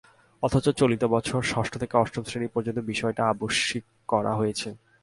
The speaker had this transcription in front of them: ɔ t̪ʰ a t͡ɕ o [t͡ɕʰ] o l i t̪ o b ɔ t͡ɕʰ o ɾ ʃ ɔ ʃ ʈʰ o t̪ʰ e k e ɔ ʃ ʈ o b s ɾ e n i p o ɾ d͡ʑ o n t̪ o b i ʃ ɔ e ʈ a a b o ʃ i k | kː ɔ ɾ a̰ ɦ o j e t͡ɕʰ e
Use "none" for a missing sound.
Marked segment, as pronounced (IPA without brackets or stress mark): t͡ɕ